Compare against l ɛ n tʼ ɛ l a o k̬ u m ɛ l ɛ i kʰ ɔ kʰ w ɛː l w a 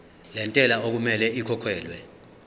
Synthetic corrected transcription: l ɛ n tʼ ɛ l a o k̬ u m ɛ l ɛ i kʰ ɔ kʰ w ɛː l w ɛ